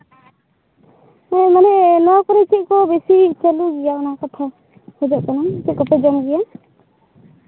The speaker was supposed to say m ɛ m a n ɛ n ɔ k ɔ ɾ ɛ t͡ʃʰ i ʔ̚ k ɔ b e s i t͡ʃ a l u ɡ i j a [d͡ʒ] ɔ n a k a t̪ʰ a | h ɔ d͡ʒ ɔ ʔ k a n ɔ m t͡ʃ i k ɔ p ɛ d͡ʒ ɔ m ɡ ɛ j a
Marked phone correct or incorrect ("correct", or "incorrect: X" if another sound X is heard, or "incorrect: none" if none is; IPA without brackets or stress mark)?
incorrect: none